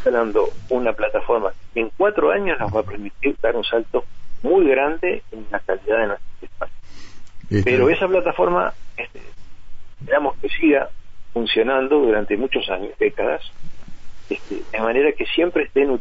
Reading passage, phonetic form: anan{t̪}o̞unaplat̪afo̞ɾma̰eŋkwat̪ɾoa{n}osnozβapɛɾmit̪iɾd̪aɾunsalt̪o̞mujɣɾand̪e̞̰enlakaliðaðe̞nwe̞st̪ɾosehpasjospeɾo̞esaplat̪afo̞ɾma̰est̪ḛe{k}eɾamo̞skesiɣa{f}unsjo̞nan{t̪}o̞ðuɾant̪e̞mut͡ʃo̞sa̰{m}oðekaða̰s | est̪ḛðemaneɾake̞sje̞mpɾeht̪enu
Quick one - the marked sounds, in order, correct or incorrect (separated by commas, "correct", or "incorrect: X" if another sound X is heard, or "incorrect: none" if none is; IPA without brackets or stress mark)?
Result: incorrect: d̪, incorrect: ɲ, incorrect: p, correct, incorrect: d̪, incorrect: ɲ